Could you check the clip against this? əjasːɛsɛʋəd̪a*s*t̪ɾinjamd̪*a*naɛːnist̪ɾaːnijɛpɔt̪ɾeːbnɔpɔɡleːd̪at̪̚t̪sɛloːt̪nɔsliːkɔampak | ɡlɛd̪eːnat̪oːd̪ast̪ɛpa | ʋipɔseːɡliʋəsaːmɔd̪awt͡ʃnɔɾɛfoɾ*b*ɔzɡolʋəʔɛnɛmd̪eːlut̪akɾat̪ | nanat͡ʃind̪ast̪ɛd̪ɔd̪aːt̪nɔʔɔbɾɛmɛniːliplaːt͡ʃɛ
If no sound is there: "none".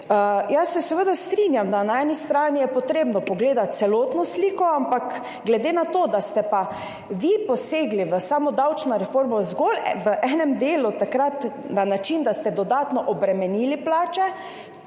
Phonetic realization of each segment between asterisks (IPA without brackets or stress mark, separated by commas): s, a, m